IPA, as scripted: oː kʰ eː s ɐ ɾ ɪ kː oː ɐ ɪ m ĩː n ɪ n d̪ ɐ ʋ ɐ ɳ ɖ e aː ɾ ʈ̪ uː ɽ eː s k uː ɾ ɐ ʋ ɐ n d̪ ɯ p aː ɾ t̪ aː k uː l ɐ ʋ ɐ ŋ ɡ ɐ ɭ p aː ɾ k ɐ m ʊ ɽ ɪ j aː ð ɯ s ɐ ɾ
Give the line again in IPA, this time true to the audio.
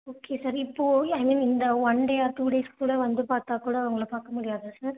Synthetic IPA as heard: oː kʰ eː s ɐ ɾ ɪ pː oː ɐ ɪ m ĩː n ɪ n d̪ ɐ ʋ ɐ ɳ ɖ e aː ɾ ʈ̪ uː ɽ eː s k uː ɽ ɐ ʋ ɐ n d̪ ɯ p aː ɾ t̪ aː k uː ɽ ɐ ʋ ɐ ŋ ɡ ɐ ɭ p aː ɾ k ɐ m ʊ ɽ ɪ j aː ð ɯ s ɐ ɾ